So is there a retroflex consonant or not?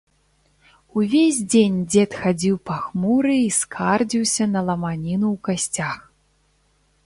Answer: no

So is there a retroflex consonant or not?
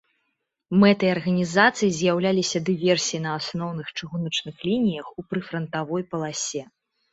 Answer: yes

